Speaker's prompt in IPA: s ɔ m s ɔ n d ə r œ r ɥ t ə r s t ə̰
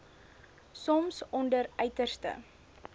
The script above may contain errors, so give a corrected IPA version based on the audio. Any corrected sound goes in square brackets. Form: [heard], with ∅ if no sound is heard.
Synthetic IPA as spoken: s ɔ m s ɔ n d ə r œ [∅] ɥ t ə r s t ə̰